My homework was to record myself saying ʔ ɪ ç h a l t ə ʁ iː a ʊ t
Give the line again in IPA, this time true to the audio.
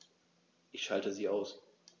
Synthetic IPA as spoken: ʔ ɪ ç ʃ a l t ə z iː a ʊ s

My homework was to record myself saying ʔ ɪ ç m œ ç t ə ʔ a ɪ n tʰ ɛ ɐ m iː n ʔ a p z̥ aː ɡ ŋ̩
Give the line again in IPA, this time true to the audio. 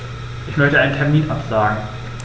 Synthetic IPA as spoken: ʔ ɪ ç m œ ç t ə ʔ a ɪ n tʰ ɛ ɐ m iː n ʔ a p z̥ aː ɡ ŋ̩

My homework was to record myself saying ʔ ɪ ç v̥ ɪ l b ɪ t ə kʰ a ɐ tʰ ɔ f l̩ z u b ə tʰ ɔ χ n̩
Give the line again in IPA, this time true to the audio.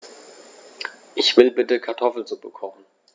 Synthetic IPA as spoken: ʔ ɪ ç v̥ ɪ l b ɪ t ə kʰ a ɐ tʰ ɔ f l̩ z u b ə kʰ ɔ χ n̩

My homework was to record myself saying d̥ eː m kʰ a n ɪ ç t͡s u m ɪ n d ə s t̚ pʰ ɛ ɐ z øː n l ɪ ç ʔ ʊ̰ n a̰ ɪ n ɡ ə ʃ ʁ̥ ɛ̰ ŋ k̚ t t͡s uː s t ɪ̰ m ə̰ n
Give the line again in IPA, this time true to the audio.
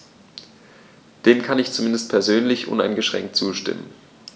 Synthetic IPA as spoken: d̥ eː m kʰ a n ɪ ç t͡s u m ɪ n d ə s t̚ pʰ ɛ ɐ z øː n l ɪ ç ʔ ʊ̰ n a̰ ɪ n ɡ ə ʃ ʁ̥ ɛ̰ ŋ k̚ t t͡s uː ʃ t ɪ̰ m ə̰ n

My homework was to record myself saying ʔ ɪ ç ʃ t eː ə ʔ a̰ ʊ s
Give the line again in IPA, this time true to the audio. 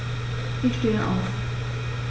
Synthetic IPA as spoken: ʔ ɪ ç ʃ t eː ə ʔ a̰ ʊ f

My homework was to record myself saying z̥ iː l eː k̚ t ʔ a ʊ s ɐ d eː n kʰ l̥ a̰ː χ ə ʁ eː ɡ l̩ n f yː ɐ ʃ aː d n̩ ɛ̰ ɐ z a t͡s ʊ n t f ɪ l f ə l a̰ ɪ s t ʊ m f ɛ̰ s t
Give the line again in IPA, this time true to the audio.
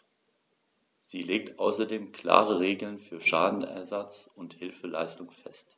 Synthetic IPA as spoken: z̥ iː l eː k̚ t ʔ a ʊ s ɐ d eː m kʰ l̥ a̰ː ʁ ə ʁ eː ɡ l̩ n f yː ɐ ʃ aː d n̩ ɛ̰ ɐ z a t͡s ʊ n t h ɪ l f ə l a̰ ɪ s t ʊ ŋ f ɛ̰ s t

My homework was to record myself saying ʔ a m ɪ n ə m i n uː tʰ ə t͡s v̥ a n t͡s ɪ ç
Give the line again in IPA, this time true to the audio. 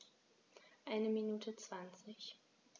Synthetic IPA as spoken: ʔ a ɪ n ə m i n uː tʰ ə t͡s v̥ a n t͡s ɪ ç

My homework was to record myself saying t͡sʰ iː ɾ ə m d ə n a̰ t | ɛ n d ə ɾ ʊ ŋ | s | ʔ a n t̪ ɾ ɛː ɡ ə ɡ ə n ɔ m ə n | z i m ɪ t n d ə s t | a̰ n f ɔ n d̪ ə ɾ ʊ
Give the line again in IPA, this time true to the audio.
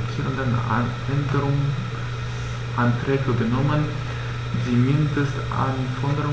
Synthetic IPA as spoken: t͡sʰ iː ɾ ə n d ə n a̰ | ɛ n d ə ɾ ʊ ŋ | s | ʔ a n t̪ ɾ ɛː ɡ ə ɡ ə n ɔ m ə n | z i m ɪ n d ə s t | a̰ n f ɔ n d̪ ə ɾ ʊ

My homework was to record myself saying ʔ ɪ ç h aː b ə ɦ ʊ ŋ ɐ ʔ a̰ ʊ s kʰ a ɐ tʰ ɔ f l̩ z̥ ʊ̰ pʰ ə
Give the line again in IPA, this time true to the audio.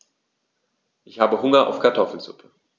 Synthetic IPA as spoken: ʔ ɪ ç h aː b ə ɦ ʊ ŋ ɐ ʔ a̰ ʊ f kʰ a ɐ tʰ ɔ f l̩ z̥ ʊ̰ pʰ ə

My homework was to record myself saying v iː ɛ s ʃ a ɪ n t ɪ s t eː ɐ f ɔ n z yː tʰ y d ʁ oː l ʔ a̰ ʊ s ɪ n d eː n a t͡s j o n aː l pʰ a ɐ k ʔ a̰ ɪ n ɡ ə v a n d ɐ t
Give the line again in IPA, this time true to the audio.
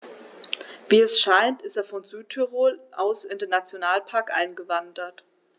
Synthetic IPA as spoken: v iː ɛ s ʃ a ɪ n t ɪ s t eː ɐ f ɔ n z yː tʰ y ʁ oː l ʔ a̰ ʊ s ɪ n d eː n a t͡s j o n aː l pʰ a ɐ k ʔ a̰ ɪ n ɡ ə v a n d ɐ t

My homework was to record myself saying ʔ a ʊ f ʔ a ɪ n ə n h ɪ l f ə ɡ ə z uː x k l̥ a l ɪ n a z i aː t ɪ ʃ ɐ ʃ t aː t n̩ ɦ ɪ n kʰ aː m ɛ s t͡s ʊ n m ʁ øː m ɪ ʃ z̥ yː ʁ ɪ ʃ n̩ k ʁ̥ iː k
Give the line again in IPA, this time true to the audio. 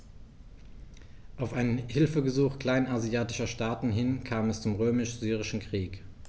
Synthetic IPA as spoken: ʔ a ʊ f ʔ a ɪ n ə n h ɪ l f ə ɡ ə z uː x k l̥ a ɪ n a z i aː t ɪ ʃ ɐ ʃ t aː t n̩ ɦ ɪ n kʰ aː m ɛ s t͡s ʊ m ʁ øː m ɪ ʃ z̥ yː ʁ ɪ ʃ n̩ k ʁ̥ iː k

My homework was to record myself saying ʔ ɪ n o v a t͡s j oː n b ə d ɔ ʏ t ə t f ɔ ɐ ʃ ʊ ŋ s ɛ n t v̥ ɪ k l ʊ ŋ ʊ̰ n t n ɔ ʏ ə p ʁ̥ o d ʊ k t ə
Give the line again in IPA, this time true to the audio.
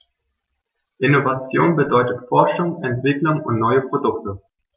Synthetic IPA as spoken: ʔ ɪ n o v a t͡s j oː n b ə d ɔ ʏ t ə t f ɔ ɐ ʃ ʊ ŋ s ɛ n t v̥ ɪ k l ʊ ŋ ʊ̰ n t n ɔ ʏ ə p ʁ̥ o d ʊ k t ə

